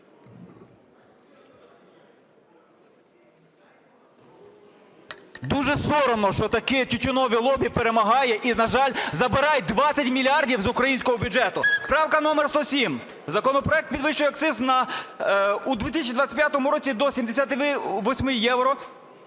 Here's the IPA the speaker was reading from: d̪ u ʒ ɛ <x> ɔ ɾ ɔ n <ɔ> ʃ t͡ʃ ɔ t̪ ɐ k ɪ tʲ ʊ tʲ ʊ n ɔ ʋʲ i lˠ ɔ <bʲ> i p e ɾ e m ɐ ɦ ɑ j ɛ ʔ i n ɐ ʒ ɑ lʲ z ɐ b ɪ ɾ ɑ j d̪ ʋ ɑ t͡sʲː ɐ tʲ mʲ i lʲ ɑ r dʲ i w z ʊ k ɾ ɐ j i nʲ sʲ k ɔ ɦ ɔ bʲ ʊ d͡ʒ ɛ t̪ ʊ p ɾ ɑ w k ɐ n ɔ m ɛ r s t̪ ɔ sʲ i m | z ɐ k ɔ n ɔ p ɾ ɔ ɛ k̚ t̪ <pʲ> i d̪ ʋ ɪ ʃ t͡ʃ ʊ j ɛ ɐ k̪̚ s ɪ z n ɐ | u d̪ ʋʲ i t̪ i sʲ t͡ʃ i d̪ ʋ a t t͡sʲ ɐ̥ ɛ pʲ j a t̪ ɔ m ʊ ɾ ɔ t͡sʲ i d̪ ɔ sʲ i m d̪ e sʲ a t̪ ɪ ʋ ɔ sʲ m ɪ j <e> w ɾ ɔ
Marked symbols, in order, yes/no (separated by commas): no, yes, yes, yes, no